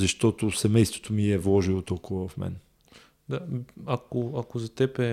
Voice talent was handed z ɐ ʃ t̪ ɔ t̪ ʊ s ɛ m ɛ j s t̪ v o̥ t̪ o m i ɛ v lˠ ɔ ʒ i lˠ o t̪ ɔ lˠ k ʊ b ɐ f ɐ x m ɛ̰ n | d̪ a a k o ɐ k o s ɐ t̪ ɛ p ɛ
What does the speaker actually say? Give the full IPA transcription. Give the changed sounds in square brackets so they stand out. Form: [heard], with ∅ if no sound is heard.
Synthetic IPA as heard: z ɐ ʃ t̪ ɔ t̪ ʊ s ɛ m ɛ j s t̪ v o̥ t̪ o m i ɛ v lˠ ɔ ʒ i lˠ o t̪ ɔ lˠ k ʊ [v] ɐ [v] ɐ [f] m ɛ̰ n | d̪ a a k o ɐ k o [z] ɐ t̪ ɛ p ɛ